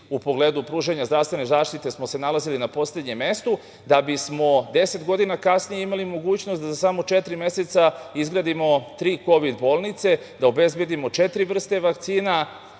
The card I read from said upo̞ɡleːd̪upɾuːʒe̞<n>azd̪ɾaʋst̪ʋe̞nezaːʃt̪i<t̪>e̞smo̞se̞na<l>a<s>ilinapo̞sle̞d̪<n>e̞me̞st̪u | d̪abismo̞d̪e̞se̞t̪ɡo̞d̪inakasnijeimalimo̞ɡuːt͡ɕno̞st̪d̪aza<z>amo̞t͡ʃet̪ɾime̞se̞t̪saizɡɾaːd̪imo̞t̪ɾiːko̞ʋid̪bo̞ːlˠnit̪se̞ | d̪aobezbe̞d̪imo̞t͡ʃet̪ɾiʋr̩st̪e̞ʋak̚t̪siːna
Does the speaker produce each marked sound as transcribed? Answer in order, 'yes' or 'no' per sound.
no, yes, yes, no, no, no

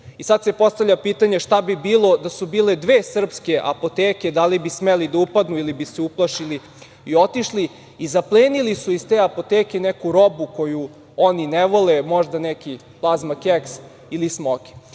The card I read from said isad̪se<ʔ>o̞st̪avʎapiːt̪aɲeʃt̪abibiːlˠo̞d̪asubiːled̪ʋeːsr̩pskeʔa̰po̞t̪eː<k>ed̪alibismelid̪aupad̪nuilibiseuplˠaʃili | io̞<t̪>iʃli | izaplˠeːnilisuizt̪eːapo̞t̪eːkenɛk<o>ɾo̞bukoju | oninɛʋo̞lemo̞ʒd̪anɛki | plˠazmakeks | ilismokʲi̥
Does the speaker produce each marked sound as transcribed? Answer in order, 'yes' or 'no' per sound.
no, yes, yes, no

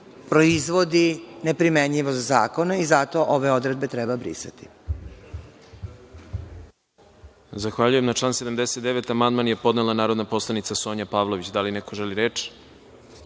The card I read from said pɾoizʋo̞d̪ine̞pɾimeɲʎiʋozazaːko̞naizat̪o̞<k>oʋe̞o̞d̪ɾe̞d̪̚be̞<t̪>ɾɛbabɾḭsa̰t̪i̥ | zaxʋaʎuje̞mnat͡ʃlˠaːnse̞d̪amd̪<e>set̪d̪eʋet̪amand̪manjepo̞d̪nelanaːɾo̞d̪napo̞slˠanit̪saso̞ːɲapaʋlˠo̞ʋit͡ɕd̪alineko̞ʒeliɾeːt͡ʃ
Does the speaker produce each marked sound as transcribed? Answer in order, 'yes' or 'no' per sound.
no, yes, yes

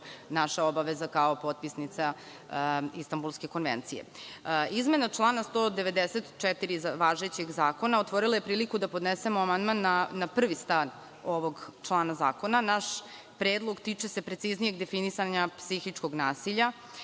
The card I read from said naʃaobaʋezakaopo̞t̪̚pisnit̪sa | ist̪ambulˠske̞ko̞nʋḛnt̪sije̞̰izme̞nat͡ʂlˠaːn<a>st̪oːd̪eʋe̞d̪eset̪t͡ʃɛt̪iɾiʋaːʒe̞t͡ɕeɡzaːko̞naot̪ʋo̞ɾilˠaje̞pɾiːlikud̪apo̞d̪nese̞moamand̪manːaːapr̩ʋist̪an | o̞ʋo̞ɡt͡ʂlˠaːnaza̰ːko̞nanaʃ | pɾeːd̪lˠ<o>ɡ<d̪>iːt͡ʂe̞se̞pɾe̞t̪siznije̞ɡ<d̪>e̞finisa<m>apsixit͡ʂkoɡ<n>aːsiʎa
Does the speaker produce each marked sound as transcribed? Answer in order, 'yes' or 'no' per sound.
yes, yes, no, yes, no, yes

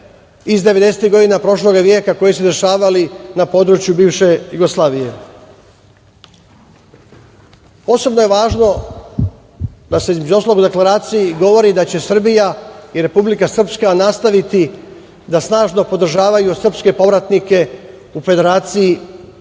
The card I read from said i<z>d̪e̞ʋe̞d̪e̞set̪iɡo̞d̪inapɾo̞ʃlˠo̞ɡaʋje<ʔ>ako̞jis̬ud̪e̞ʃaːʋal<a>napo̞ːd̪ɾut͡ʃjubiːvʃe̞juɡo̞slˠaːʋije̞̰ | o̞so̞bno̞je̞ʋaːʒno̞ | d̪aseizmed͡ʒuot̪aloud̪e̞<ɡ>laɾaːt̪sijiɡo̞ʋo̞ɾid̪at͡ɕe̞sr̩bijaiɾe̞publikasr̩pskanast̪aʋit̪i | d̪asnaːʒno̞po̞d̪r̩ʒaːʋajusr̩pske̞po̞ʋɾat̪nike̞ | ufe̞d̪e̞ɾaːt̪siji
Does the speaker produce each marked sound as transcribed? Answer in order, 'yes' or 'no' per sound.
yes, no, no, no

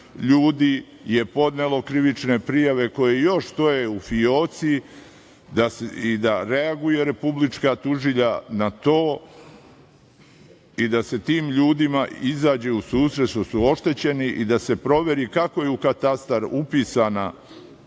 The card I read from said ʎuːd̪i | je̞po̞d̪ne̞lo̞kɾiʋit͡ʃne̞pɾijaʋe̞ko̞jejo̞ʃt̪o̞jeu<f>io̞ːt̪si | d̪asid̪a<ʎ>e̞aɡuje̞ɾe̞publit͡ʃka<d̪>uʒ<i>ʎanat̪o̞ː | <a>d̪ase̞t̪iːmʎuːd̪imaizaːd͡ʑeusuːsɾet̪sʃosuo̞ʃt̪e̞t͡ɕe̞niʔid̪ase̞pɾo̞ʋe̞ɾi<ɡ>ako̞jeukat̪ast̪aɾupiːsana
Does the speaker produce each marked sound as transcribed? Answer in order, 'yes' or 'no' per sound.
yes, no, no, yes, no, no

